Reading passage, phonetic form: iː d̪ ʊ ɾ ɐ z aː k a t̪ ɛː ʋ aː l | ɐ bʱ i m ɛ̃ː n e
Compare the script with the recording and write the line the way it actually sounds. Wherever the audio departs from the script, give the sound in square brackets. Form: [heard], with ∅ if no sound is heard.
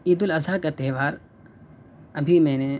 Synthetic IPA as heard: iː d̪ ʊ [l] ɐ z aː k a t̪ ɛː ʋ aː [ɾ] | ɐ bʱ i m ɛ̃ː n e